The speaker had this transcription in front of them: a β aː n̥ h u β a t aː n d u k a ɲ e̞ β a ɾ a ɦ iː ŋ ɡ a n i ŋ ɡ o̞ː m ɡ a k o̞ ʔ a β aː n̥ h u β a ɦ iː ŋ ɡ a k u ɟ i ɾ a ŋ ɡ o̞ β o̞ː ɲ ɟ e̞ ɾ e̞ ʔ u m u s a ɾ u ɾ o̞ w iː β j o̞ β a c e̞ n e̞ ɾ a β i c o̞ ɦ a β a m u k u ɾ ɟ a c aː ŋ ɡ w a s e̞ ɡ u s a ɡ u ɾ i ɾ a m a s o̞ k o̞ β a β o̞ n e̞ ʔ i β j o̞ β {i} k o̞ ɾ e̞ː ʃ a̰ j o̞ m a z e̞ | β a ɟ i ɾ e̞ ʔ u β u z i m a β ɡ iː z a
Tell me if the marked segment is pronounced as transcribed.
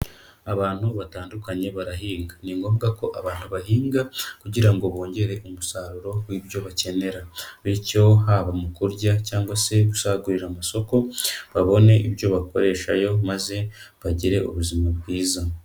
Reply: no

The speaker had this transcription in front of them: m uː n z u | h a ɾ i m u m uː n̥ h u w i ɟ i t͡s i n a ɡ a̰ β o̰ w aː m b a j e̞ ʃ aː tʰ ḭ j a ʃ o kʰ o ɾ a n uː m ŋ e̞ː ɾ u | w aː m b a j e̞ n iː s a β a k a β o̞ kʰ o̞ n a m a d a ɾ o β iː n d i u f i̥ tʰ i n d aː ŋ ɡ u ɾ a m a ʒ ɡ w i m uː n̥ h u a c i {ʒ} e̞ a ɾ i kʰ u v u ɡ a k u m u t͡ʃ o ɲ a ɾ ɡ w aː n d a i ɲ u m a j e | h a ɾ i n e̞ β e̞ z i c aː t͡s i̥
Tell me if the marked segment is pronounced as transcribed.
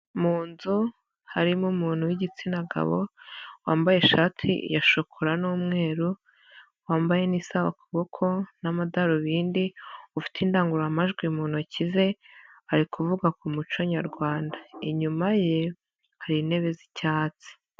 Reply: no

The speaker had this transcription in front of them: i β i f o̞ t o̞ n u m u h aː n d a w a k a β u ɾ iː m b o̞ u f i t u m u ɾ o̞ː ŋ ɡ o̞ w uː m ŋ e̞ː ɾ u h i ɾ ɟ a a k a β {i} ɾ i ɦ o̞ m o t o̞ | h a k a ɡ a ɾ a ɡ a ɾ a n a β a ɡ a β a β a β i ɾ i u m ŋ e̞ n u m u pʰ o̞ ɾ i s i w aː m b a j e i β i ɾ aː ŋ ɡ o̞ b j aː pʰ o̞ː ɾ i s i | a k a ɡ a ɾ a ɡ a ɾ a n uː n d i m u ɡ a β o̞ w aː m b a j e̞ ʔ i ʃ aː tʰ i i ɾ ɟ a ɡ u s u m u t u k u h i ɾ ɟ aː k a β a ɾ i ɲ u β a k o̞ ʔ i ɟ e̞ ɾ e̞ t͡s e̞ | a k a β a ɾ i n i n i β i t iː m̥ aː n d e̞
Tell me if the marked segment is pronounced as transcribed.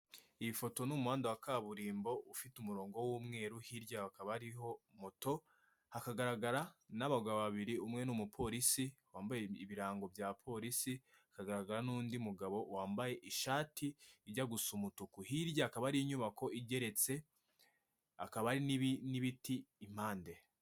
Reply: no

